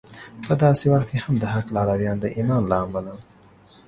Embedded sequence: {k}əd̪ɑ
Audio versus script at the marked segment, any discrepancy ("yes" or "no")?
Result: yes